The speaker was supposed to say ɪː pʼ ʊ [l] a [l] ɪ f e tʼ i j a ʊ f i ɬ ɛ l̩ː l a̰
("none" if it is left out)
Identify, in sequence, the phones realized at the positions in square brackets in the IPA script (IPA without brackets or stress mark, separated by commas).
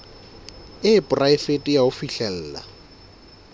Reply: r, none